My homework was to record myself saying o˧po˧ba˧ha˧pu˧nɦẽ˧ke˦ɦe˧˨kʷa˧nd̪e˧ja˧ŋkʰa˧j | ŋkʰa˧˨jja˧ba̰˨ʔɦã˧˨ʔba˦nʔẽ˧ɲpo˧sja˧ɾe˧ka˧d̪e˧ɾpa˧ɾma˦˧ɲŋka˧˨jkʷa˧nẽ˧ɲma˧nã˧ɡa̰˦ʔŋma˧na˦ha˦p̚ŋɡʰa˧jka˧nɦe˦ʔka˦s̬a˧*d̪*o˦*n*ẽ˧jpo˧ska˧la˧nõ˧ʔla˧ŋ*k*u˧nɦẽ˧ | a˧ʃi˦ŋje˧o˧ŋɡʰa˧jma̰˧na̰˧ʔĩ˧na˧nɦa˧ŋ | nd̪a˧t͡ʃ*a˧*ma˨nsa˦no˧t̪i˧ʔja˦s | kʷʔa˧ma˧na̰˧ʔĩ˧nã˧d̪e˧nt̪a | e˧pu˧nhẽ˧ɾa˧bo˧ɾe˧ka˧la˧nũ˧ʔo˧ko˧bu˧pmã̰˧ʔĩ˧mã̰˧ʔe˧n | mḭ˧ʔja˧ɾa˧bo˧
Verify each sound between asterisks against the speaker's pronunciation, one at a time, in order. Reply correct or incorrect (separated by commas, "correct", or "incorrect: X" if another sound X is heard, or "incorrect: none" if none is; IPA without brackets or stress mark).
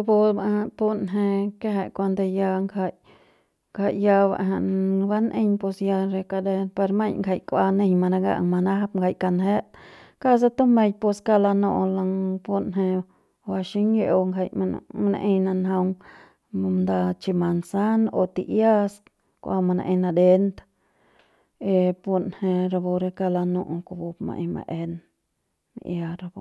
incorrect: t̪, incorrect: m, incorrect: p, incorrect: i˧